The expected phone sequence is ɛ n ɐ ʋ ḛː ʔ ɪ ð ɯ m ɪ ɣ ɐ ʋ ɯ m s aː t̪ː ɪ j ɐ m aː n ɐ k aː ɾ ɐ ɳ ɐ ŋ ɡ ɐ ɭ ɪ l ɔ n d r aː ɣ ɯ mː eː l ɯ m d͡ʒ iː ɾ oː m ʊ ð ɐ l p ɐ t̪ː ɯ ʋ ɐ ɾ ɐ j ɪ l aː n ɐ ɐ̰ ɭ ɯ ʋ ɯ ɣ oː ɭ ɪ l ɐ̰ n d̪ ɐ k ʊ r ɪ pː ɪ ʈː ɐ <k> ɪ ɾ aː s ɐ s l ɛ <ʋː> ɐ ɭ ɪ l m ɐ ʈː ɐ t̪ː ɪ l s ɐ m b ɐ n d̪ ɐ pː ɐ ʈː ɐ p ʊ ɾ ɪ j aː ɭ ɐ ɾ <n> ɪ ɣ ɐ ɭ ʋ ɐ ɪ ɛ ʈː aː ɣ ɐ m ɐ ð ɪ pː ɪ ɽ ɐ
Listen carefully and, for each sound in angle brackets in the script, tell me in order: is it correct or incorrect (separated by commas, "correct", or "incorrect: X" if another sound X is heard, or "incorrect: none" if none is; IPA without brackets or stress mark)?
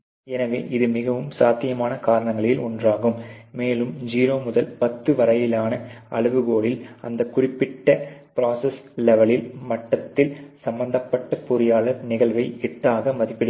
incorrect: p, incorrect: ʋ, correct